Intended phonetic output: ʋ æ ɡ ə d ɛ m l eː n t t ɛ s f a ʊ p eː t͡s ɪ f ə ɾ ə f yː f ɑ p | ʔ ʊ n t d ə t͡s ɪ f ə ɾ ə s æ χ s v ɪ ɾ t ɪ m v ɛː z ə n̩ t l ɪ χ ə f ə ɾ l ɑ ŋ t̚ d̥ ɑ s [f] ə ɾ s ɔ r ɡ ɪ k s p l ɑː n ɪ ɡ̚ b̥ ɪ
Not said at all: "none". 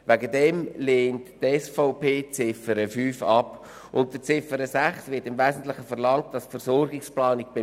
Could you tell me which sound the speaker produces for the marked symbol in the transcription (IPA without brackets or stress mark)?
f